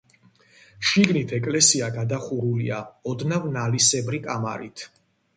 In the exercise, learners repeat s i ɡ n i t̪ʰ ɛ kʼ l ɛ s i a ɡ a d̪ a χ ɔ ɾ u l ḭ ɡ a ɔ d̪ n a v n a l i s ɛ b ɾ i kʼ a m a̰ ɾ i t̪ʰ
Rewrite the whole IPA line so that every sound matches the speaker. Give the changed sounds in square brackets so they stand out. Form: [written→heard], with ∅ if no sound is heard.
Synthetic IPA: [s→ʃ] i ɡ n i t̪ʰ ɛ kʼ l ɛ s i a ɡ a d̪ a χ [ɔ→u] ɾ u l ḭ [ɡ→∅] a ɔ d̪ n a v n a l i s ɛ b ɾ i kʼ a m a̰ ɾ i t̪ʰ